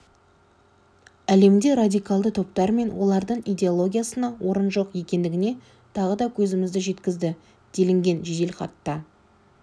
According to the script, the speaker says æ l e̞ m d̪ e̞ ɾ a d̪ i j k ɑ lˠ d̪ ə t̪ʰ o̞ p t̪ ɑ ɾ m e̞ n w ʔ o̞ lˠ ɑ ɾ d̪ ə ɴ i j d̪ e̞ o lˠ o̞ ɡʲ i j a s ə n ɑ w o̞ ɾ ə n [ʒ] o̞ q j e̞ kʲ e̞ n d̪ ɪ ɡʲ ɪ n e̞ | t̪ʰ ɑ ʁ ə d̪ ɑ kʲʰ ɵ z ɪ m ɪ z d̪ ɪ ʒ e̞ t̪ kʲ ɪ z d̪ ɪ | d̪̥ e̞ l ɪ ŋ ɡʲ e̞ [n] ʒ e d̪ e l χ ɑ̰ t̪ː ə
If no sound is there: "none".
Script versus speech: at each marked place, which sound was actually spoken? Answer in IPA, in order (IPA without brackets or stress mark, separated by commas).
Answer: ʒ, n